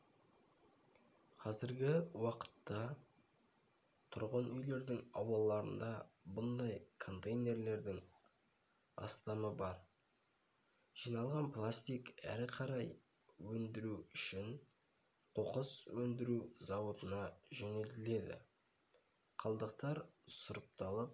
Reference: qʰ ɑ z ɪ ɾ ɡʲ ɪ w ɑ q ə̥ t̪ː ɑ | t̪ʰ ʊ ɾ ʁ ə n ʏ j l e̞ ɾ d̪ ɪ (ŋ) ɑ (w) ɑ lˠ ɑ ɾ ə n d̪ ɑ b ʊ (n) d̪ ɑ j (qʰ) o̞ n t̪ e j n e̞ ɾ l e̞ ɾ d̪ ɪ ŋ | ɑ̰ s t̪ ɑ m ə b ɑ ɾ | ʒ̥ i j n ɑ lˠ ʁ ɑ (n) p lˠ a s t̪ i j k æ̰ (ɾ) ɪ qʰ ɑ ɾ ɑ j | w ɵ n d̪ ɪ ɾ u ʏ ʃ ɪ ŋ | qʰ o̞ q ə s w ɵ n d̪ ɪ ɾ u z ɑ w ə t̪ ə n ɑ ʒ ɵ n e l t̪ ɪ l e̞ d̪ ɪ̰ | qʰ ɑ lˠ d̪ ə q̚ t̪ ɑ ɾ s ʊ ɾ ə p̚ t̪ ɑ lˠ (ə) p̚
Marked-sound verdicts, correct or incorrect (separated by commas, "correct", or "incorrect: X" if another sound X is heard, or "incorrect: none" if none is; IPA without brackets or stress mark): correct, correct, correct, incorrect: kʰ, correct, correct, correct